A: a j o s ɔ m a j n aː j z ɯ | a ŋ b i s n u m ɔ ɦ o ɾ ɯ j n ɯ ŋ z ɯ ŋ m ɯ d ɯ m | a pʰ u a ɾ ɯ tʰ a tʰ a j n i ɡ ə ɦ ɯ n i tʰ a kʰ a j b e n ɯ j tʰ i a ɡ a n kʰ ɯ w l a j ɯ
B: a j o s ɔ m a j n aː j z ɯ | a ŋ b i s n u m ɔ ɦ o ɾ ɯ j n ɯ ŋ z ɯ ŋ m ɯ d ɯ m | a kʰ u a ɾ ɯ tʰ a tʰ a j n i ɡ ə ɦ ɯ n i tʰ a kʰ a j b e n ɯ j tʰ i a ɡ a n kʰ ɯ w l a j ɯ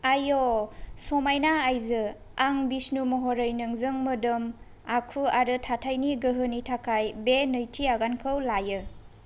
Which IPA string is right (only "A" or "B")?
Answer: B